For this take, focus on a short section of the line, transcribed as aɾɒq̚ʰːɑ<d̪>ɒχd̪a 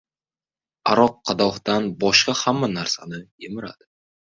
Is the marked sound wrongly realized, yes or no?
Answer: no